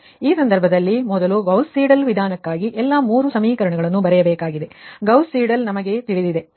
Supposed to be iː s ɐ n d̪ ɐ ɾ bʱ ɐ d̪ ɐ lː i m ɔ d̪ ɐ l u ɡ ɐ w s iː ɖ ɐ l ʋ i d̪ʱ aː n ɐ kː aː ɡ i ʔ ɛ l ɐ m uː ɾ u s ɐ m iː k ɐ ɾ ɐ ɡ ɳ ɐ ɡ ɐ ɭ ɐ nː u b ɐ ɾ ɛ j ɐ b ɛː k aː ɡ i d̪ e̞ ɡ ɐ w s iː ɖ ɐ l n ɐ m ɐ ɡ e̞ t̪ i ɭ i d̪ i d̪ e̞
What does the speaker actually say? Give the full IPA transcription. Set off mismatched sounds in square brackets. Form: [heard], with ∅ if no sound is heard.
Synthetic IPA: iː s ɐ n d̪ ɐ ɾ bʱ ɐ d̪ ɐ lː i m ɔ d̪ ɐ l u ɡ ɐ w s iː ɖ ɐ l ʋ i d̪ʱ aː n ɐ kː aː ɡ i ʔ ɛ [lː] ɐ m uː ɾ u s ɐ m iː k ɐ ɾ ɐ [∅] ɳ ɐ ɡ ɐ ɭ ɐ nː u b ɐ ɾ ɛ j ɐ b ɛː k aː ɡ i d̪ e̞ ɡ ɐ w s iː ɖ ɐ l n ɐ m ɐ ɡ e̞ t̪ i ɭ i d̪ i d̪ e̞